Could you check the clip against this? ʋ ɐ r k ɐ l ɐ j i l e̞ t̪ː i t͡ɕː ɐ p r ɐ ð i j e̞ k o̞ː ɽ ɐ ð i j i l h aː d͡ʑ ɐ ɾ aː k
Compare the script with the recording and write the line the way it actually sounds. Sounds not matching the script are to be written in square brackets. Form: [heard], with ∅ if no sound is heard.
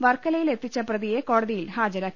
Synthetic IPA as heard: ʋ ɐ r k ɐ l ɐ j i l e̞ t̪ː i t͡ɕː ɐ p r ɐ ð i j e̞ k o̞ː ɽ ɐ ð i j i l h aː d͡ʑ ɐ ɾ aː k